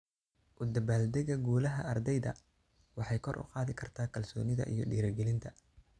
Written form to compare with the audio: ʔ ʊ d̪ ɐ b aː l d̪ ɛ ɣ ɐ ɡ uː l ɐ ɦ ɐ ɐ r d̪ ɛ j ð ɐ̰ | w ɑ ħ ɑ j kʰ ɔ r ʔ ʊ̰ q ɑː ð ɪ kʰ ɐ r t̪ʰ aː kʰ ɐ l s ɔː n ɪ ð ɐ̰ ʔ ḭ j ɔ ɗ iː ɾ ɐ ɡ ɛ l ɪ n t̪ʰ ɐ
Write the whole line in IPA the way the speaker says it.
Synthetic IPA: ʔ ʊ d̪ ɐ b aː l d̪ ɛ ɣ ɐ ɡ uː l ɐ ɦ ɐ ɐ r d̪ ɛ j ð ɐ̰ | w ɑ ħ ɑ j kʰ ɔ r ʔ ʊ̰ q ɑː ð ɪ kʰ ɐ r t̪ʰ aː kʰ ɐ l s ɔː n ɪ ð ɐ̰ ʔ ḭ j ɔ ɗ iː ɾ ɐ ɡ ɛ l ɪ n t̪ʰ ɐ